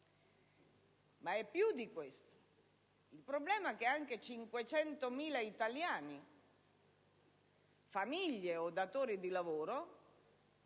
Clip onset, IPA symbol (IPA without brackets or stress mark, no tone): m